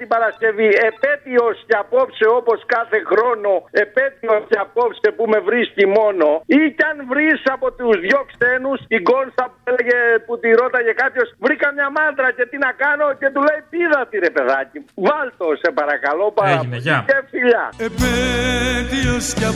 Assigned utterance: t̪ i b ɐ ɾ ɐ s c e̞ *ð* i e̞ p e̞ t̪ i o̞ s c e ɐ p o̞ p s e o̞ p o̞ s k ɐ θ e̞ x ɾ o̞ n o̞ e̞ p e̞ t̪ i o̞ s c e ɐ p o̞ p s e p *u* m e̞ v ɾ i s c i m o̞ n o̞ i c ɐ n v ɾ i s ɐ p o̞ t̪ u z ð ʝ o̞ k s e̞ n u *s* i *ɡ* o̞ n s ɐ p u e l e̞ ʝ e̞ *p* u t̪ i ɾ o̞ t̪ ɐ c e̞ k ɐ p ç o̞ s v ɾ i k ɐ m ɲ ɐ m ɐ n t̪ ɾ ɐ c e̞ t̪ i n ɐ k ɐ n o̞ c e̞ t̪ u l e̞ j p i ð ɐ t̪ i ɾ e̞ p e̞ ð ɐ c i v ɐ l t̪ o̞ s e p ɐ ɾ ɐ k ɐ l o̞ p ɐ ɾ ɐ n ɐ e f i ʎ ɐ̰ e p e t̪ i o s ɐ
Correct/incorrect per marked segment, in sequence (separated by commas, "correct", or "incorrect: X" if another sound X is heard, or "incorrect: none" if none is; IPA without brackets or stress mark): incorrect: v, correct, correct, correct, correct